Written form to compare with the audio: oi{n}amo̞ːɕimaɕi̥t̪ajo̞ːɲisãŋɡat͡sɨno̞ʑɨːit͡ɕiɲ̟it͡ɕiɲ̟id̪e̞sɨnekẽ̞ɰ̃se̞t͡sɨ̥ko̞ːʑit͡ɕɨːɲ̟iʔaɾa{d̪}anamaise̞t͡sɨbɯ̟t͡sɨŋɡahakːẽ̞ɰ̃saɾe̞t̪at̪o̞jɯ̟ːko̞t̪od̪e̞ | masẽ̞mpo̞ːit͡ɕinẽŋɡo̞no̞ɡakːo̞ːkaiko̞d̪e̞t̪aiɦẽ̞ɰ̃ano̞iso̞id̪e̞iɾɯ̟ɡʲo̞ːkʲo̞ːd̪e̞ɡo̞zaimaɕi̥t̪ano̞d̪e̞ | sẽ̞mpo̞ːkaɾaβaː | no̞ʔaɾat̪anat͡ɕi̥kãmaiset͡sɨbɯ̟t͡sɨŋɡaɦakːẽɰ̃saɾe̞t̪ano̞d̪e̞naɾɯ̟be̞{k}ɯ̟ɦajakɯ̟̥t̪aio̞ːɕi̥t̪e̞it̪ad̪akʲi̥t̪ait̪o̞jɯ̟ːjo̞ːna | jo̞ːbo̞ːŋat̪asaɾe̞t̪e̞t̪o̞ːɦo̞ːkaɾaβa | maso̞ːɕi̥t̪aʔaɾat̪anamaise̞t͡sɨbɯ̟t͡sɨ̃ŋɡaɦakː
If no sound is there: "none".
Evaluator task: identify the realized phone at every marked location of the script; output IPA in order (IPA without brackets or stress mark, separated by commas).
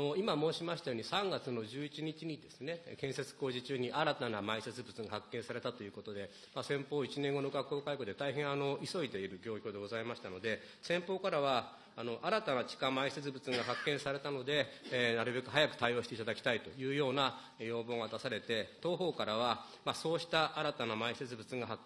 m, t̪, k